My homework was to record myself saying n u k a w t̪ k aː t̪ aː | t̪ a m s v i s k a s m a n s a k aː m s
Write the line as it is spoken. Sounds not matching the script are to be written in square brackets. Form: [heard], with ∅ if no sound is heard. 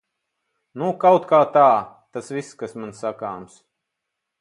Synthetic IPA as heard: n u k a w t̪ k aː t̪ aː | t̪ a [∅] s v i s k a s m a n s a k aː m s